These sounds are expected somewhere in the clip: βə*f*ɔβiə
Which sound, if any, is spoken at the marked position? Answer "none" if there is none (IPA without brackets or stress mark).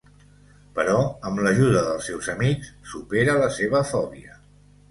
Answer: f